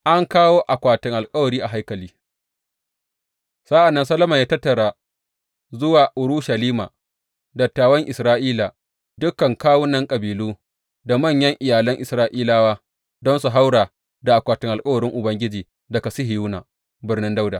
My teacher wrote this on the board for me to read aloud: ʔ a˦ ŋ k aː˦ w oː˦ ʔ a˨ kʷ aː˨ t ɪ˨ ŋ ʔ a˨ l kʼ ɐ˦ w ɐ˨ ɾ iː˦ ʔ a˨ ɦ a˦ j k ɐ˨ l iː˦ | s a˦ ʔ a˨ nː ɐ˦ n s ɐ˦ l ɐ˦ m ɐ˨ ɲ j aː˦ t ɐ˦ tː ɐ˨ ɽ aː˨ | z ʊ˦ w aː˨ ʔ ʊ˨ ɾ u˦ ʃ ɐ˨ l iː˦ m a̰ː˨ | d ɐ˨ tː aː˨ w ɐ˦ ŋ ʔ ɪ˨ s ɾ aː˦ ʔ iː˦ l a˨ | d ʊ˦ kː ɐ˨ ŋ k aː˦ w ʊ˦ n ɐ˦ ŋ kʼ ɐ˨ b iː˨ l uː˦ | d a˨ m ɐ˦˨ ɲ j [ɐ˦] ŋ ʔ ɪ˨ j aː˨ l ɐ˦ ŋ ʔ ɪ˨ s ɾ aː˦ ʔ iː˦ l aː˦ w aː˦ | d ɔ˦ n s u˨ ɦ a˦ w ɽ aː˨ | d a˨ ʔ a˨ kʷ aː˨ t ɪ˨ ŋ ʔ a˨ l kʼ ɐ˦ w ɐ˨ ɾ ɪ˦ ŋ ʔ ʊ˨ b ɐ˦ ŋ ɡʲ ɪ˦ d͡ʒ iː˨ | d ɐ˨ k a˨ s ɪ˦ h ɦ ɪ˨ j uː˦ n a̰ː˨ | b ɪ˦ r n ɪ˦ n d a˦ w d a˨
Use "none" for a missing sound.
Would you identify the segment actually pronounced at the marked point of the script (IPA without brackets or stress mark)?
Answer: ɐ˦